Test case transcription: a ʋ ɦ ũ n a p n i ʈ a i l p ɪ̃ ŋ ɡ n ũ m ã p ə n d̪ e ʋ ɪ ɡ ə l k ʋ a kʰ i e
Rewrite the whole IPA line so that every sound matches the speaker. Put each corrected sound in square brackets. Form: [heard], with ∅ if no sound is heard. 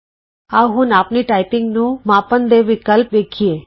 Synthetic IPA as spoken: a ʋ ɦ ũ n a p n i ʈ a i [∅] p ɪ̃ ŋ ɡ n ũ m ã p ə n d̪ e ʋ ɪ [k] ə l [p] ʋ [e] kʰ i e